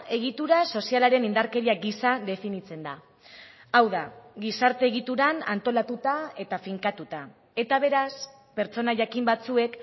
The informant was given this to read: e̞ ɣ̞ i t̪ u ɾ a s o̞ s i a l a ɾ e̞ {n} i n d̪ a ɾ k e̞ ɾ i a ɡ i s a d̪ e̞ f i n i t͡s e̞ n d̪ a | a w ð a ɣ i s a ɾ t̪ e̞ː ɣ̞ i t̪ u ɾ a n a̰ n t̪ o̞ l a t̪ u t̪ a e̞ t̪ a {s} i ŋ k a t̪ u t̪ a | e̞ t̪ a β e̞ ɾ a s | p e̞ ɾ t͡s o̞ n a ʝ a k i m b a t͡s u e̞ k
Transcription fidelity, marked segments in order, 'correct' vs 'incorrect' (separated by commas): correct, incorrect